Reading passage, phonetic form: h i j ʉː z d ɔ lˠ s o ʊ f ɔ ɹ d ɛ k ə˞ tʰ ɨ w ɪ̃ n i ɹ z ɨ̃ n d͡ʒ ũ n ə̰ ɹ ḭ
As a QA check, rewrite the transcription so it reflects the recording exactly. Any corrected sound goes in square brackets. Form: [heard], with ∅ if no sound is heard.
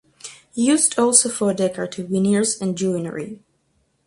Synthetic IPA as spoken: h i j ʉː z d ɔ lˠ s o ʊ f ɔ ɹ d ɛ k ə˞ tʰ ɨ w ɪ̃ n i ɹ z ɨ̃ n d͡ʒ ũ n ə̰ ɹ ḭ